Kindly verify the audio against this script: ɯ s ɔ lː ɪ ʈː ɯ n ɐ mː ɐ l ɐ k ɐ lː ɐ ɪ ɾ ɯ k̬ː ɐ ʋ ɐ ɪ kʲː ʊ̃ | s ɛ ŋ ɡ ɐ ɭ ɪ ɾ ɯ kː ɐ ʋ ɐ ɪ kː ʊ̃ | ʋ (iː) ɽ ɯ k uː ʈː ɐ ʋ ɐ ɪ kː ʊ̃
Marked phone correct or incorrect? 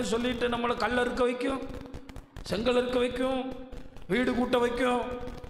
correct